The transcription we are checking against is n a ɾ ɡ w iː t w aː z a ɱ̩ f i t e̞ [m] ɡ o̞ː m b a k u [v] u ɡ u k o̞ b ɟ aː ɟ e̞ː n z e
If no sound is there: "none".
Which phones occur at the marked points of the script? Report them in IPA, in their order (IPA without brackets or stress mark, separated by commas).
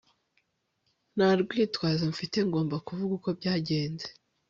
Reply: ŋ, v